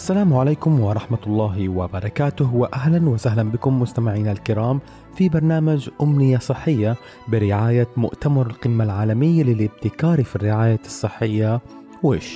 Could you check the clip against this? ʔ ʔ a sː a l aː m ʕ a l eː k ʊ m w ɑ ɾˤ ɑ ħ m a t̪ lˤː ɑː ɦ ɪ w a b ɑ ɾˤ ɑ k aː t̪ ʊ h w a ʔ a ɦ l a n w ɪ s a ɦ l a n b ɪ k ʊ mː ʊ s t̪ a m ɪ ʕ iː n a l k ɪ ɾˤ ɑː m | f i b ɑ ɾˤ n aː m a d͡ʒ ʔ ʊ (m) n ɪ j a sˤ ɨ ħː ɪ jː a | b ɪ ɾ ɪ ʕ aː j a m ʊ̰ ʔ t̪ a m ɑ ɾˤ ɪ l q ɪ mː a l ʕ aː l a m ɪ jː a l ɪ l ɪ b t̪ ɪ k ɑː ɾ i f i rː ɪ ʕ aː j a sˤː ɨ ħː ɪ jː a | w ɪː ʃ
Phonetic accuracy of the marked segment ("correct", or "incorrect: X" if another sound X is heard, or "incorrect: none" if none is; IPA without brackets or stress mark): correct